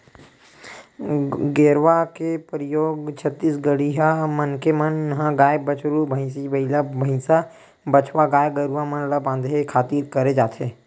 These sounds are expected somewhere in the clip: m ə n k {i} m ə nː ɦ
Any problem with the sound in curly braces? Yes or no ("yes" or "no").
yes